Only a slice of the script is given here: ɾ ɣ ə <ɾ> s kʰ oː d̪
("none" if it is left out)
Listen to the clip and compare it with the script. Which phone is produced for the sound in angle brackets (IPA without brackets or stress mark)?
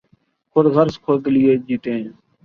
ɾ